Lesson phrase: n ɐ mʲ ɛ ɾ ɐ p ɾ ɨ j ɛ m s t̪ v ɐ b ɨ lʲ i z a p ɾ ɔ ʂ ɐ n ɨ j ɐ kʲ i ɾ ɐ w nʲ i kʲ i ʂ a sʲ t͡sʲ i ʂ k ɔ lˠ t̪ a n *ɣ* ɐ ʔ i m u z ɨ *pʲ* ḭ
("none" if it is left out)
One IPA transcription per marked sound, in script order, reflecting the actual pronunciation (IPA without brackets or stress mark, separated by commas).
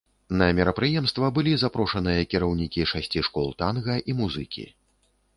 ɣ, kʲ